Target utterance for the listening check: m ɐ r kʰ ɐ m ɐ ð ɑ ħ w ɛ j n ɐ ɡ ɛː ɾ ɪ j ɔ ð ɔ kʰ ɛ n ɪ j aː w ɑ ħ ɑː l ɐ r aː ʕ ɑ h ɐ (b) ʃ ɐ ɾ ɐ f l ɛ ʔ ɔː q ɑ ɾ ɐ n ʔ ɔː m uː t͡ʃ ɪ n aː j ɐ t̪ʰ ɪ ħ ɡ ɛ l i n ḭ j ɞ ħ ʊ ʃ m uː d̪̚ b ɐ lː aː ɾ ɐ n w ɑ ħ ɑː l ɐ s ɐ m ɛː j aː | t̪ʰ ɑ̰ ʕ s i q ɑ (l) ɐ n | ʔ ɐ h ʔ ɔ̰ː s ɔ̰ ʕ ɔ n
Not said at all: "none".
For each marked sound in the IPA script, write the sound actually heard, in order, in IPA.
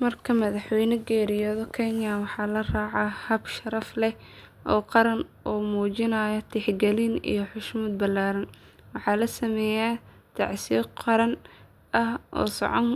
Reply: b, ɾ

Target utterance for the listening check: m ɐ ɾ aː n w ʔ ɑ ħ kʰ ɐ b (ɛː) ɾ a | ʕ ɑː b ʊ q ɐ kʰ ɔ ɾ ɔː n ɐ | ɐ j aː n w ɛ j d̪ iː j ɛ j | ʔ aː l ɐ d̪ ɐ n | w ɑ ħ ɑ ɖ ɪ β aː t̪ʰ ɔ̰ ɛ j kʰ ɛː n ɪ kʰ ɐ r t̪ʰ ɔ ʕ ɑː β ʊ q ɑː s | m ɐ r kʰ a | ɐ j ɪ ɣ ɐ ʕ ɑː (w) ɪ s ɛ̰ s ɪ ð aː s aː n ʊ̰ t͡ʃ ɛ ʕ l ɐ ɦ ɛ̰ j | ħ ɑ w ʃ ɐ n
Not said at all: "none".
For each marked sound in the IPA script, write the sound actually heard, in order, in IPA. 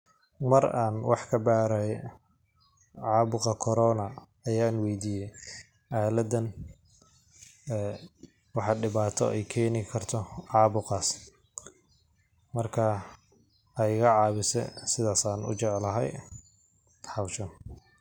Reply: aː, β

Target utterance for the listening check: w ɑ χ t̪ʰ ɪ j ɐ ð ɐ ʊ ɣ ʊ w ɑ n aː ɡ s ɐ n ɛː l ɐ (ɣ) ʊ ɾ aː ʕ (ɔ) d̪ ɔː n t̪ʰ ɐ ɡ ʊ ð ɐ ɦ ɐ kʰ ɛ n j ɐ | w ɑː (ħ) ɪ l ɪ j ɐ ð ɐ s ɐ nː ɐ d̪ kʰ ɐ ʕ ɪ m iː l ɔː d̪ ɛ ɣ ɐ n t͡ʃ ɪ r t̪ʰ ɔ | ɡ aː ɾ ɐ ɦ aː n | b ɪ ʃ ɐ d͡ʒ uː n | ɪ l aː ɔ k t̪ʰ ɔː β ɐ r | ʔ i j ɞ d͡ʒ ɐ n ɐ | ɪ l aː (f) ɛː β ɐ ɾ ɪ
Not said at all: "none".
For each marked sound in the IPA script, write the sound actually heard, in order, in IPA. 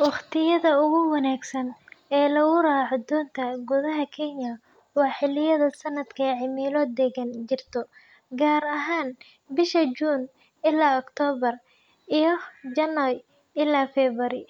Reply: ɣ, ɔ, ħ, f

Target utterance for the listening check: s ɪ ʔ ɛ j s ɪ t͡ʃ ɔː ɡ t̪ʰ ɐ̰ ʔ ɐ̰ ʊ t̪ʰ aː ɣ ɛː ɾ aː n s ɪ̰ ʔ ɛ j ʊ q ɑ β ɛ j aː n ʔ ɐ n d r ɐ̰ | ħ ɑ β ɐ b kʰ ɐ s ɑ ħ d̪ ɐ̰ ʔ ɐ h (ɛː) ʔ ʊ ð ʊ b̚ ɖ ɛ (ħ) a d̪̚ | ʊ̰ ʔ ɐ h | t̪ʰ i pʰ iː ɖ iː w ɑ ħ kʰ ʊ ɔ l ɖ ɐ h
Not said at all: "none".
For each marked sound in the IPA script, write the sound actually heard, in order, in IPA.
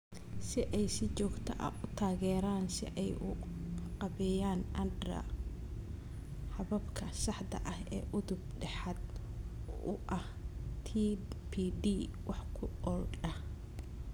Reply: ɛː, ħ

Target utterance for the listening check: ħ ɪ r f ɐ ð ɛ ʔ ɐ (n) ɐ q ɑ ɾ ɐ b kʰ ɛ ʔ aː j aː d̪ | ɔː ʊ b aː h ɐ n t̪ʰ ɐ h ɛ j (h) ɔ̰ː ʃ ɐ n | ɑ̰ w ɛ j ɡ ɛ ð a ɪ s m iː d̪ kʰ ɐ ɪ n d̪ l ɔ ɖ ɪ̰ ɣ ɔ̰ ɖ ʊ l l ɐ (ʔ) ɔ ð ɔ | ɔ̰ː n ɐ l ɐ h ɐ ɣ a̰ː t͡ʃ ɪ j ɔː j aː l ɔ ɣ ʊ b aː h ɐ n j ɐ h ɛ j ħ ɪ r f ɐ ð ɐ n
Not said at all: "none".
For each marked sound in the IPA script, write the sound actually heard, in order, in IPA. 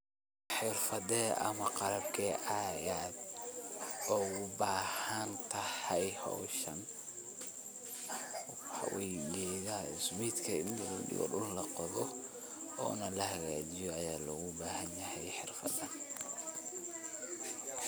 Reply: m, h, q

